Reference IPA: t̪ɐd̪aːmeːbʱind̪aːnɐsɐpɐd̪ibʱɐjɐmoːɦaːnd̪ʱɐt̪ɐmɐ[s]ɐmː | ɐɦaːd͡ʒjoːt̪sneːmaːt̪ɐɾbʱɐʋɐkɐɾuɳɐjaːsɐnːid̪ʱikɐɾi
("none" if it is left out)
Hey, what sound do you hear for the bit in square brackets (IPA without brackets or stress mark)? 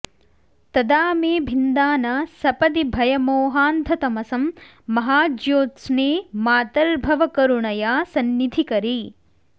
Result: s